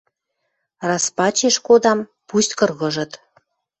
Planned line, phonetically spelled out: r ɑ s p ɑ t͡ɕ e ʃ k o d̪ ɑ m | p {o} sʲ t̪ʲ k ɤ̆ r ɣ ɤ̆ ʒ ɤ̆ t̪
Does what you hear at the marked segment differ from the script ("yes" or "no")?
yes